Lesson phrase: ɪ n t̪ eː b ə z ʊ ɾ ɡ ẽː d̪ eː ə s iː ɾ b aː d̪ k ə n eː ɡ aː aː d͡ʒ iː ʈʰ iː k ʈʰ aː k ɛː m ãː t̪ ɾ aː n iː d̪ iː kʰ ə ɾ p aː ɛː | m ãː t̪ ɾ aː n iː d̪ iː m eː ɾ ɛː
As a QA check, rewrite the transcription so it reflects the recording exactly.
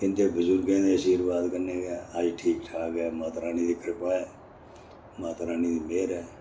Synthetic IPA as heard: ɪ n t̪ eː b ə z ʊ ɾ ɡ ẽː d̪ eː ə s iː ɾ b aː d̪ k ə n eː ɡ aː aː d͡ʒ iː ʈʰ iː k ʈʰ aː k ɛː m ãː t̪ ɾ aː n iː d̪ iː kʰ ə ɾ p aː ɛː | m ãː t̪ ɾ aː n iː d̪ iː m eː ɾ ɛː